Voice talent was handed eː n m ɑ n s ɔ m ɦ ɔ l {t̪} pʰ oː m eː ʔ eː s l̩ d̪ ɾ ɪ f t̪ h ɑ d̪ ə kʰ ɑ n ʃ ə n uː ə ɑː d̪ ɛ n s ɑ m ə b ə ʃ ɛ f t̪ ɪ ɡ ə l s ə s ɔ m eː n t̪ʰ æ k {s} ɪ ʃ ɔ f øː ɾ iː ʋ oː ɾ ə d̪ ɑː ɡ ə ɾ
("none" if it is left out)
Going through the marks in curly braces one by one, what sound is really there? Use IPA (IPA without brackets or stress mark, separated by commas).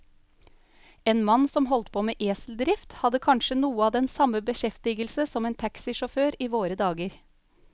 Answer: t̪, s